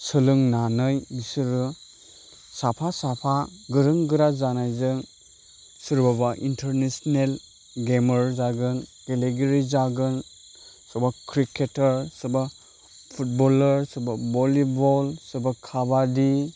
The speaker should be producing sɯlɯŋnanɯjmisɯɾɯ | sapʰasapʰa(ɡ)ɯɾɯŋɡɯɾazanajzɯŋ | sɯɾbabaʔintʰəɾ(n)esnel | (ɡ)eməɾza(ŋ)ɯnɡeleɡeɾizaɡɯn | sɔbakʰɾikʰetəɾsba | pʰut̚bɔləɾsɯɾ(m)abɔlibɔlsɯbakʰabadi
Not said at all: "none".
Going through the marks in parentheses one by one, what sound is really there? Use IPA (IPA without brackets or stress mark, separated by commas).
ɡ, n, ɡ, ɡ, b